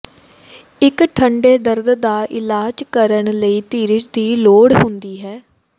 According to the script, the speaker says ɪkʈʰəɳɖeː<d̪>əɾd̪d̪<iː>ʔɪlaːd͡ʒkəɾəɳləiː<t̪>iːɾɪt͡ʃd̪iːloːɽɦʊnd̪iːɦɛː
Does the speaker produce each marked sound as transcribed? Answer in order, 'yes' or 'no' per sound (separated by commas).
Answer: yes, no, yes